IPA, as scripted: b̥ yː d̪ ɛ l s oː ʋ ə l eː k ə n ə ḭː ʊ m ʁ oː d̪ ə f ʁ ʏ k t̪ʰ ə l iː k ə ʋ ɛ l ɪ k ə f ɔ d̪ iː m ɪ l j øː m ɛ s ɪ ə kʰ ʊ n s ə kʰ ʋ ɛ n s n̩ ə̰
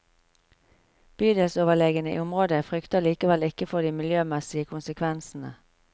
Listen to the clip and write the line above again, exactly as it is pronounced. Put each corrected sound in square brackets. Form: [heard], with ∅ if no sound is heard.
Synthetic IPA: b̥ yː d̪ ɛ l s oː ʋ ə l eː [ɡ] ə n ə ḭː ʊ m ʁ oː d̪ ə f ʁ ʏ k [t̪] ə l iː k ə ʋ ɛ l ɪ k ə f ɔ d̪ iː m ɪ l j øː m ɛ s ɪ ə kʰ ʊ n s ə kʰ ʋ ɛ n s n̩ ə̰